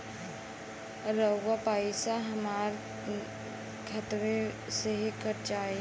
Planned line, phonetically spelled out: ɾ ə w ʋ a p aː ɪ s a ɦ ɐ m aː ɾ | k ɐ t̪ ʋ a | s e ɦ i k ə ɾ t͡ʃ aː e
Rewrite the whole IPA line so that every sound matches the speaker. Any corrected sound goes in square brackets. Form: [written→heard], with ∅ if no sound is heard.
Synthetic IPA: ɾ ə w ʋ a p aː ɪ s a ɦ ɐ m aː ɾ | [k→kʰ] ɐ t̪ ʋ [a→e] | s e ɦ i k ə ɾ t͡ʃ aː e